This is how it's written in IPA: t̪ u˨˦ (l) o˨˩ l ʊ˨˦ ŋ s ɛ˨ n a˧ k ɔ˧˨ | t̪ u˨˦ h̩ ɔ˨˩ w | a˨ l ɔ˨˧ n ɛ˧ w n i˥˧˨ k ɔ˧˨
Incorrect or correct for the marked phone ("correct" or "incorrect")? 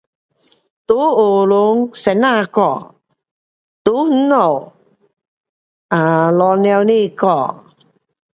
incorrect